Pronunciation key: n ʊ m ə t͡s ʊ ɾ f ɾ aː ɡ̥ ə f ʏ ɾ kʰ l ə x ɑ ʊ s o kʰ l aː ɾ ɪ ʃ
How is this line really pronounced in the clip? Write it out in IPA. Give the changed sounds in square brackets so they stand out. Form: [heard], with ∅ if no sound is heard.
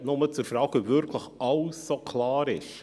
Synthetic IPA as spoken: n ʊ m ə t͡s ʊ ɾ f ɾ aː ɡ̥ ə [v] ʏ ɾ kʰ l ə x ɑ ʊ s o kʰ l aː ɾ ɪ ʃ